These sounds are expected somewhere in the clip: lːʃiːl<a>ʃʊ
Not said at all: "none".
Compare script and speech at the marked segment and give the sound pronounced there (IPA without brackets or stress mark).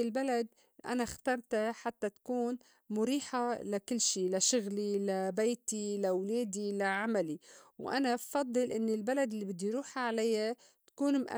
a